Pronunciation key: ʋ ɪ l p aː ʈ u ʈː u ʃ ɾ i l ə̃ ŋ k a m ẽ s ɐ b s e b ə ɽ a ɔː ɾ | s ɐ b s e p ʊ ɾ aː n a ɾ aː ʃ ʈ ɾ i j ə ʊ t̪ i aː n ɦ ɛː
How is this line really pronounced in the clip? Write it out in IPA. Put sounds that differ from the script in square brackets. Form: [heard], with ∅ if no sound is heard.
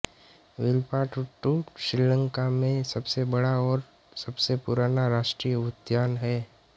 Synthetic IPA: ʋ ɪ l p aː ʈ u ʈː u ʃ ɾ i l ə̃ ŋ k a m ẽ s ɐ b s e b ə ɽ a ɔː ɾ | s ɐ b s e p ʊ ɾ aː n a ɾ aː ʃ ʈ ɾ i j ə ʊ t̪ [j] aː n ɦ ɛː